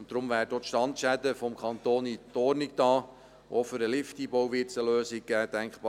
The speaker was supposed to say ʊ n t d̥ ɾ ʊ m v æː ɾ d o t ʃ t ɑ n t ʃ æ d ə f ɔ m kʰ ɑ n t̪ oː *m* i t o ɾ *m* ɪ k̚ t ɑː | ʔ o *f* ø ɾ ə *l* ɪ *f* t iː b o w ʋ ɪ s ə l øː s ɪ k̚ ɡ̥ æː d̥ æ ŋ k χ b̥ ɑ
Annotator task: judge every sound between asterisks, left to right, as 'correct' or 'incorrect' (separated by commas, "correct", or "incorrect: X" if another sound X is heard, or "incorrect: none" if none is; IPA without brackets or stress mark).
incorrect: n, incorrect: n, correct, correct, correct